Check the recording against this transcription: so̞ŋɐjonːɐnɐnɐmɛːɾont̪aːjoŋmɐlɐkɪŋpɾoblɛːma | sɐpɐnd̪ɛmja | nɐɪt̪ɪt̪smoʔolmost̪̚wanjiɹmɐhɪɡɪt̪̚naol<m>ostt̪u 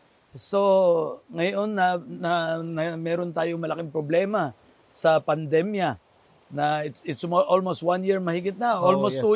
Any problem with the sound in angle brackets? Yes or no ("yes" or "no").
no